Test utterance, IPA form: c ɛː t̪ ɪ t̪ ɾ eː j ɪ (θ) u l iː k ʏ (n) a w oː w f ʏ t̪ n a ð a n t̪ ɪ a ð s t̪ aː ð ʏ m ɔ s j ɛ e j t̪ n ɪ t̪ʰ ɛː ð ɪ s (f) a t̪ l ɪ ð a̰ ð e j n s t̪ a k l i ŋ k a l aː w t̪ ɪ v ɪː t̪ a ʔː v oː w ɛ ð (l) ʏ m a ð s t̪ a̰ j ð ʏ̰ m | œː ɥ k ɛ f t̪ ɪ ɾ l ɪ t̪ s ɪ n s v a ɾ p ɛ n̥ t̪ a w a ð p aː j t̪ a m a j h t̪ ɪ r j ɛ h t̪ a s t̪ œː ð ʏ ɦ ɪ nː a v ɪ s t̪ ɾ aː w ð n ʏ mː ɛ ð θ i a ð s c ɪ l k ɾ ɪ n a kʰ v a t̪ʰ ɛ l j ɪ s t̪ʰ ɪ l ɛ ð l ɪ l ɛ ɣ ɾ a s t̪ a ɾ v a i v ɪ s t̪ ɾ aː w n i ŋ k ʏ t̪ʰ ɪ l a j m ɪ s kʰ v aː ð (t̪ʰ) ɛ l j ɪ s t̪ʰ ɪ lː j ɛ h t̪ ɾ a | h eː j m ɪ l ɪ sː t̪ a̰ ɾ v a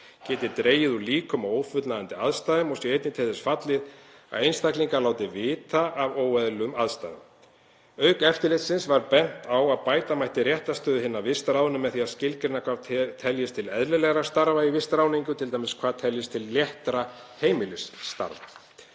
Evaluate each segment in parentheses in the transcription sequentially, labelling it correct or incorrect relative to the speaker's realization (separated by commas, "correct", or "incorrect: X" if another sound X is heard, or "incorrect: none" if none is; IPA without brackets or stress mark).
incorrect: ð, incorrect: m, correct, correct, correct